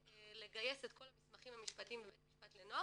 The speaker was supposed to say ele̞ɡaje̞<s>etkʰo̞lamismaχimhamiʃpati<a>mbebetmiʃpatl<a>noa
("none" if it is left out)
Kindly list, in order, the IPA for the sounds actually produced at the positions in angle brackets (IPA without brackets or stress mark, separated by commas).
s, i, e